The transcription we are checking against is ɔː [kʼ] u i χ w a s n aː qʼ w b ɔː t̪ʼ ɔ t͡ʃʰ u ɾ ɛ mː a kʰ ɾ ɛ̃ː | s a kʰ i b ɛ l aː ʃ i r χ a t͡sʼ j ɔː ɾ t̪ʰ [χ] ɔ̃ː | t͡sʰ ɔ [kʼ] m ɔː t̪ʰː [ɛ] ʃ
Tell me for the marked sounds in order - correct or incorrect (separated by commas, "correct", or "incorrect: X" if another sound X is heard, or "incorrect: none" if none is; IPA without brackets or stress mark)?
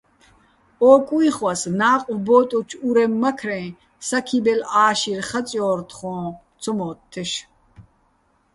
correct, correct, incorrect: none, correct